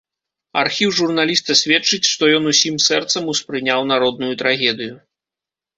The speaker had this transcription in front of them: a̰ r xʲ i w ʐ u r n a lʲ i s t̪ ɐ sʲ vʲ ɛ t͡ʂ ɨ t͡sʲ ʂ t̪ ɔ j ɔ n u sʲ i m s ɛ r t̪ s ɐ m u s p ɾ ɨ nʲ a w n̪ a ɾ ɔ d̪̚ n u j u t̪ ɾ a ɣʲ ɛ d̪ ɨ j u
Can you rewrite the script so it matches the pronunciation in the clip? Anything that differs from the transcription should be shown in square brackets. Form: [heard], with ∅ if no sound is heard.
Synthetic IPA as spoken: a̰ r xʲ i w ʐ u r n a lʲ i s t̪ ɐ sʲ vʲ ɛ t͡ʂ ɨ t͡sʲ ʂ t̪ ɔ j ɔ n u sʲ i m s ɛ r t̪ s ɐ m u s p ɾ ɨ nʲ a w n̪ a ɾ ɔ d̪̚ n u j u t̪ ɾ a ɣʲ ɛ d̪ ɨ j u